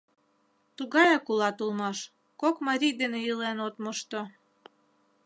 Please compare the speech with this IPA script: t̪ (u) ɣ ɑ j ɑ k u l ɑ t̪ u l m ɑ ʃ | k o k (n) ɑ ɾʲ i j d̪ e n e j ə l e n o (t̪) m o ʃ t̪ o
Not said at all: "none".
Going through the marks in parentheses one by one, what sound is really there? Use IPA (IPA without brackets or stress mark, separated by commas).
u, m, t̪